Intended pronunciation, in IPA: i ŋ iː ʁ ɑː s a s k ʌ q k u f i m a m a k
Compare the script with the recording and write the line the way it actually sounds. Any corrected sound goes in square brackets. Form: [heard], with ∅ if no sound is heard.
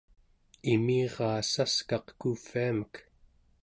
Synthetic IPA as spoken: i [m] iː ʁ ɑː s a s k [ɑ] q k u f i [∅] a m [ə] k

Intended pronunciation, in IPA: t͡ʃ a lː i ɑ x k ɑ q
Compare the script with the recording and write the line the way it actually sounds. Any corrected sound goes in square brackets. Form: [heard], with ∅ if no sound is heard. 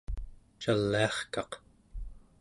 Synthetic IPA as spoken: t͡ʃ a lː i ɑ [χ] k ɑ q

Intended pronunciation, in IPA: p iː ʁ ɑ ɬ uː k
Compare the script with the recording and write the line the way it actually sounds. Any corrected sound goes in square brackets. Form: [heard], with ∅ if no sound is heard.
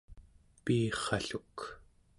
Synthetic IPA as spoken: p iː [χ] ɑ ɬ [u] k

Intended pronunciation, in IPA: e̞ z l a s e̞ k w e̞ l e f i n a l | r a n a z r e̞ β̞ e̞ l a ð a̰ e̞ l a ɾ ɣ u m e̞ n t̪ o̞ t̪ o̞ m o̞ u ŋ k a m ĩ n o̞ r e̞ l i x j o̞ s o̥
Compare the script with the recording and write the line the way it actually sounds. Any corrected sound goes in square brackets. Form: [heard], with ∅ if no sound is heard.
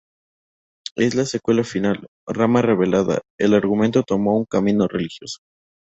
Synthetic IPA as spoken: e̞ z l a s e̞ k w e̞ l [a] f i n a l | r a [m] a [∅] r e̞ β̞ e̞ l a ð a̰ e̞ l a ɾ ɣ u m e̞ n t̪ o̞ t̪ o̞ m o̞ u ŋ k a m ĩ n o̞ r e̞ l i x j o̞ s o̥

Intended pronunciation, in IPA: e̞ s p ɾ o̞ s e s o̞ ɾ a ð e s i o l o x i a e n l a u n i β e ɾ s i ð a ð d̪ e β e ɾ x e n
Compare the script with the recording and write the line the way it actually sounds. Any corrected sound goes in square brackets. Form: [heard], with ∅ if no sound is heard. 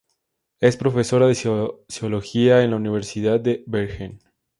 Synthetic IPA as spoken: e̞ s p ɾ o̞ [f] e s o̞ ɾ a ð e s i o l o x i a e n l a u n i β e ɾ s i ð a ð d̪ e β e ɾ x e n

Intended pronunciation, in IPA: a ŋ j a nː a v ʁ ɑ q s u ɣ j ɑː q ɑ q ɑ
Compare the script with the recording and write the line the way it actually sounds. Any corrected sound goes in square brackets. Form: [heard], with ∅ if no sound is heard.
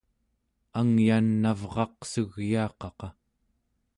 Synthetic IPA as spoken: a ŋ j a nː a v ʁ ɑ q s u ɣ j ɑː q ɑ q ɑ

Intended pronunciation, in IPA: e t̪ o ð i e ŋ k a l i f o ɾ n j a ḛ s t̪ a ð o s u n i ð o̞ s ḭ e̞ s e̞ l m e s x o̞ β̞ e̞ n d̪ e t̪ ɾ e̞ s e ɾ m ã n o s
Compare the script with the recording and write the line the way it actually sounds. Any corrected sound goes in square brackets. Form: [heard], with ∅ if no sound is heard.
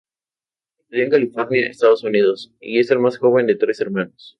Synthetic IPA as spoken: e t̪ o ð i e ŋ k a l i f o ɾ n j a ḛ s t̪ a ð o s u n i ð o̞ s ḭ e̞ s e̞ l m [a] s x o̞ β̞ e̞ n d̪ e t̪ ɾ e̞ s e ɾ m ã n o s

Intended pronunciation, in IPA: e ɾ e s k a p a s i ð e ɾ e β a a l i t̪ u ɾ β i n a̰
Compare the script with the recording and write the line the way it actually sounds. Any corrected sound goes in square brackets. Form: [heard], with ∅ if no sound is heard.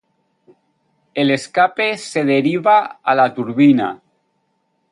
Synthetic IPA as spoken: e [l] e s k a p [e] s [e] ð e ɾ [i] β a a l [a] t̪ u ɾ β i n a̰

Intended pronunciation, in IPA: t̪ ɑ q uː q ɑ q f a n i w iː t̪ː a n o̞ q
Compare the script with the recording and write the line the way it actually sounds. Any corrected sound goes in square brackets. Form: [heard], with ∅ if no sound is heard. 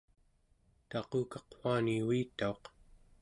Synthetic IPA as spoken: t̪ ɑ q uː [k] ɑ q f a n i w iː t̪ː a [∅] o̞ q

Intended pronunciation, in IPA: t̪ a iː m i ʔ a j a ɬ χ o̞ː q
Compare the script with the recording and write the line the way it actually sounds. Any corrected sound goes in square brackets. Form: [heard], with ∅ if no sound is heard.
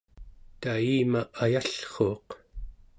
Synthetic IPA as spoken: t̪ a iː m [a] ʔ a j a ɬ χ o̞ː q

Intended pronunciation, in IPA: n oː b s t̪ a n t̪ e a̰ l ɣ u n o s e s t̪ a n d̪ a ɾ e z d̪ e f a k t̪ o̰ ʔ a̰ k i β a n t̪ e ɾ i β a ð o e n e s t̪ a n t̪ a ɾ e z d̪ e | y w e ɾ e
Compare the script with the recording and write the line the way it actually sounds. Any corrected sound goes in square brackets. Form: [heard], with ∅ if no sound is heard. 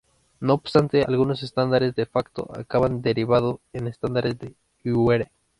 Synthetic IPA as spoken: n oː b s t̪ a n t̪ e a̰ l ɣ u n o s e s t̪ a n d̪ a ɾ e z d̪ e f a k t̪ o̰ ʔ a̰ k [a] β a n [d̪] e ɾ i β a ð o e n e s t̪ a n [d̪] a ɾ e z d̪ e | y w e ɾ e

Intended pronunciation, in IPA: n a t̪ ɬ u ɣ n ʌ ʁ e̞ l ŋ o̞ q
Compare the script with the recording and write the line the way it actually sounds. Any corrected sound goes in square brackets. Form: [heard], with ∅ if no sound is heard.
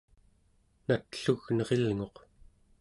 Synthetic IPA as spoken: n a t̪ ɬ u ɣ n ʌ ʁ e̞ l ŋ o̞ q

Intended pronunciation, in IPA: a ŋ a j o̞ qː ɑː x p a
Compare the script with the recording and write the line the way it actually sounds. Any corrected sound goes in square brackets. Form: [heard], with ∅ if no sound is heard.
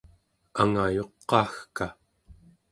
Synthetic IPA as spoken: a ŋ a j o̞ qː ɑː x [k] a

